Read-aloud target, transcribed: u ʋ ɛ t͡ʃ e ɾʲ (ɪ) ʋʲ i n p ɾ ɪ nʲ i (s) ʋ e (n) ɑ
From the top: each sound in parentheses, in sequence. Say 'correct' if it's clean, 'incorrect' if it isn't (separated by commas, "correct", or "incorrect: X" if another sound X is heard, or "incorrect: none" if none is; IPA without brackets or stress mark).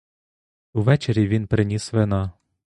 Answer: incorrect: i, correct, correct